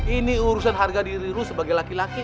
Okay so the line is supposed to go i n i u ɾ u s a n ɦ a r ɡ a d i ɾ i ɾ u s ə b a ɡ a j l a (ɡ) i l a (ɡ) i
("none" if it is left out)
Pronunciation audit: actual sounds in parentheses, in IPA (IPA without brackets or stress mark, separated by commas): k, k